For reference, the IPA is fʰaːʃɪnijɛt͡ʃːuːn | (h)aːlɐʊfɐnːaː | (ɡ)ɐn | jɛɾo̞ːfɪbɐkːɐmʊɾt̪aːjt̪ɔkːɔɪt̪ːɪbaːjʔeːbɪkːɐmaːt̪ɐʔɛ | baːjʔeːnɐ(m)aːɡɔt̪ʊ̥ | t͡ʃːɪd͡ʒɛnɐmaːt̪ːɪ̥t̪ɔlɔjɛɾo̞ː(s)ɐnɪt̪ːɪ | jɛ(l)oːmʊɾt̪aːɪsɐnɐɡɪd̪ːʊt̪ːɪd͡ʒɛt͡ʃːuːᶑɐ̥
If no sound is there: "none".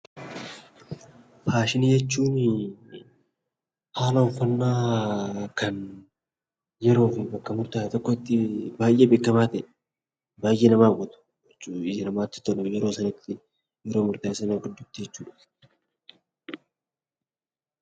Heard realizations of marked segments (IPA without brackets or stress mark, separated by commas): h, k, m, s, ɾ